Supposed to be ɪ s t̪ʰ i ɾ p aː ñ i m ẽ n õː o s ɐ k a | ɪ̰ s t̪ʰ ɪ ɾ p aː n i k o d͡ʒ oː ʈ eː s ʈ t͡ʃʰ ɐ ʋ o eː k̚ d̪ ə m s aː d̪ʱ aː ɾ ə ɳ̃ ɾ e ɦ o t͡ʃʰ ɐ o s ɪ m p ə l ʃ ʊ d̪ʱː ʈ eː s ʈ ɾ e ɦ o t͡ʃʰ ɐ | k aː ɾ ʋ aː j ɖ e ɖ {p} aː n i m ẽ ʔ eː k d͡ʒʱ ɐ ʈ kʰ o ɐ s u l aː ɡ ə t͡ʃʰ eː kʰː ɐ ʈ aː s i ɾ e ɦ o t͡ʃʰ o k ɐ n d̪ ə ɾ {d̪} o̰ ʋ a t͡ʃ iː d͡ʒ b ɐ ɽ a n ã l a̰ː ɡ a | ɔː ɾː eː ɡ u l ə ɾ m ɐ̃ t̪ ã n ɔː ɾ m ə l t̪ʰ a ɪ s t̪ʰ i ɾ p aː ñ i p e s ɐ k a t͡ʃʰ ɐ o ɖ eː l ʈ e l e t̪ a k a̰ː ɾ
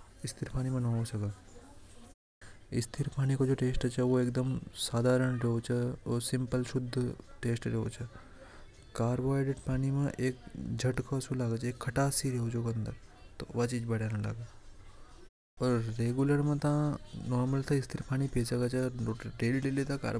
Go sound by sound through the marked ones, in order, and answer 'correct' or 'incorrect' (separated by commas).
correct, incorrect